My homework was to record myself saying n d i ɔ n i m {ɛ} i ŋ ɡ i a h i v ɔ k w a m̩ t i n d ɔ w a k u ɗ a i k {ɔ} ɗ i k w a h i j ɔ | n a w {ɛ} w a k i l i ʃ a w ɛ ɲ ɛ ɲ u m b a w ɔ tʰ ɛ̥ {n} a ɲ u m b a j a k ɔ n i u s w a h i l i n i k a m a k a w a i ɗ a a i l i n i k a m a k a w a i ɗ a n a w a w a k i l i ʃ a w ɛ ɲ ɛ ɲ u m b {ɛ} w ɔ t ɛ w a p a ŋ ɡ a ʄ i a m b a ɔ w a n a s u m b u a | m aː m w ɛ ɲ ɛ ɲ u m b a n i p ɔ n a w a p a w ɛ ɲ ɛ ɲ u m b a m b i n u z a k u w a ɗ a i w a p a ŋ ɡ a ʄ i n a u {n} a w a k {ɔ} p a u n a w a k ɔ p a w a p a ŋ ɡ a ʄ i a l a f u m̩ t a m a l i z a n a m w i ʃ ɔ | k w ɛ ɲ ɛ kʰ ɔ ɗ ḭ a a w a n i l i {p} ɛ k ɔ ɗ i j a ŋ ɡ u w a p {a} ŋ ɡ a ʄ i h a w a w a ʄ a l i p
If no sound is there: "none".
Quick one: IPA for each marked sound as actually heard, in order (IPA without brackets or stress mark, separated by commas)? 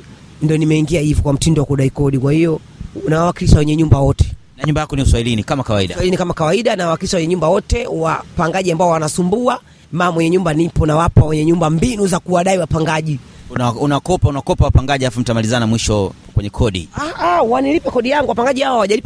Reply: ɛ, ɔ, a, n, a, n, ɔ, p, a